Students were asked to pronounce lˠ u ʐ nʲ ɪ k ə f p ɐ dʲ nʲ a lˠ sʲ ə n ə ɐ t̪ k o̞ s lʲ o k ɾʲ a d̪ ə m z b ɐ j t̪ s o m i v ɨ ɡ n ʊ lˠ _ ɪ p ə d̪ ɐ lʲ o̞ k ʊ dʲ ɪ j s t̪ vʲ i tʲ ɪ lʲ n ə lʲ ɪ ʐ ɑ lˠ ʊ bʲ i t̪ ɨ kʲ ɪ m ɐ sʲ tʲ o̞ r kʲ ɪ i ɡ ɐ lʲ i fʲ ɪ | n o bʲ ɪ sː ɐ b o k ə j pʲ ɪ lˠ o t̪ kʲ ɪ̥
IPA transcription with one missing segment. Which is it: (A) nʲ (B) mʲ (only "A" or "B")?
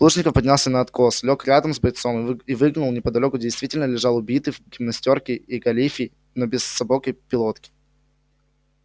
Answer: A